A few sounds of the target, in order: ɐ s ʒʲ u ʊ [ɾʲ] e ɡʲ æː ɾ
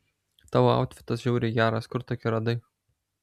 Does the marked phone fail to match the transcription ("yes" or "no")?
no